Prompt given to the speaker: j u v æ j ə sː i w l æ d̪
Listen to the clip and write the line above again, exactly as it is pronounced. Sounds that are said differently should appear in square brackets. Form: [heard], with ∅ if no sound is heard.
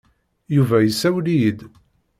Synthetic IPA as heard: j u v æ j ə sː [æ] w l [i] d̪